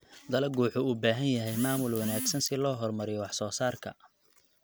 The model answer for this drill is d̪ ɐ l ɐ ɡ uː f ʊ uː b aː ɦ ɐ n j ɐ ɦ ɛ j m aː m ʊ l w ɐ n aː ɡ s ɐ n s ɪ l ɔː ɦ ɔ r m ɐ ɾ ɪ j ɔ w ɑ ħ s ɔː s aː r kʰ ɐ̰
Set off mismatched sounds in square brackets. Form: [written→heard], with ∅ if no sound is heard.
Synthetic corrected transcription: d̪ ɐ l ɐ ɡ uː [f→ħ] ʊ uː b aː ɦ ɐ n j ɐ ɦ ɛ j m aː m ʊ l w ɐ n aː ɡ s ɐ n s ɪ l ɔː ɦ ɔ r m ɐ ɾ ɪ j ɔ w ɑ ħ s ɔː s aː r kʰ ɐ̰